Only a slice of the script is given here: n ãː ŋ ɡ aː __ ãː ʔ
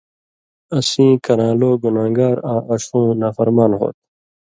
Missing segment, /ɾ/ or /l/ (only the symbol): ɾ